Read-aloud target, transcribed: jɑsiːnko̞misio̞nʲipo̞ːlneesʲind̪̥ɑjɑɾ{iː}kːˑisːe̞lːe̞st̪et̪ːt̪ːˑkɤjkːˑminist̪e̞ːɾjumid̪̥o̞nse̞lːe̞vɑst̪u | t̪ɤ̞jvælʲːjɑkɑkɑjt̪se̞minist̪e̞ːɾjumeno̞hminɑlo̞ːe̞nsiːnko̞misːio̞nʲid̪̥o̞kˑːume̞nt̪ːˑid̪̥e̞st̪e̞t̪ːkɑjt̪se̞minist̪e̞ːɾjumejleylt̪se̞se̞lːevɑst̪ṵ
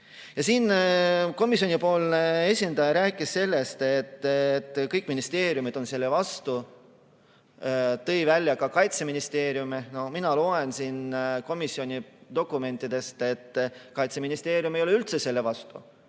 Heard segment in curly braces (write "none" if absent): æː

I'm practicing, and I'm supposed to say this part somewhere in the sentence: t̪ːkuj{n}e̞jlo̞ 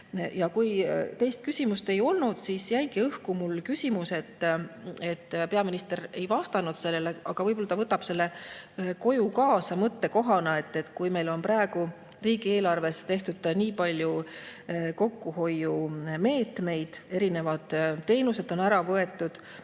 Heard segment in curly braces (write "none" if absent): m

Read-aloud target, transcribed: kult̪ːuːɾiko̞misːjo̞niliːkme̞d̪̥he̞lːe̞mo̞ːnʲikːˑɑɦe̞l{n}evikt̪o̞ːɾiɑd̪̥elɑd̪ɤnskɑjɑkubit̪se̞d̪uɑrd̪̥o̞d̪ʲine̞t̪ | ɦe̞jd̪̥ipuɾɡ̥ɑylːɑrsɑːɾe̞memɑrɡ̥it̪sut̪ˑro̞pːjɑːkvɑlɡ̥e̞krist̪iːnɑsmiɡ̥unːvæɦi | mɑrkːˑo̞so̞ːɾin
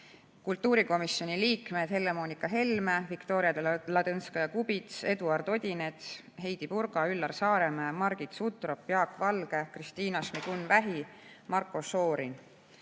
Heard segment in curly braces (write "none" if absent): m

